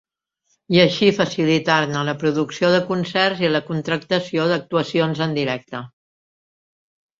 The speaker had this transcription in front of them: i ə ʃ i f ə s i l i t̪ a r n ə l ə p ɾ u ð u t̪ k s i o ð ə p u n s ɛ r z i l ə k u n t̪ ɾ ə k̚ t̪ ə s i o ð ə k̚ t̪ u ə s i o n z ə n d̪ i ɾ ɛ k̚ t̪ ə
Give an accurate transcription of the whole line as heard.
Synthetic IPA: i ə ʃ i f ə s i l i t̪ a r n ə l ə p ɾ u ð u k s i o ð ə k u n s ɛ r z i l ə k u n t̪ ɾ ə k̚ t̪ ə s i o ð ə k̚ t̪ u ə s i o n z ə n d̪ i ɾ ɛ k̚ t̪ ə